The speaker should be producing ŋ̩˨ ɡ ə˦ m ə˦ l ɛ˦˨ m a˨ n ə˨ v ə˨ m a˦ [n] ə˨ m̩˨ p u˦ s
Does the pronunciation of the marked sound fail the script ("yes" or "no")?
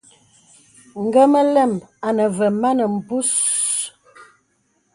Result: no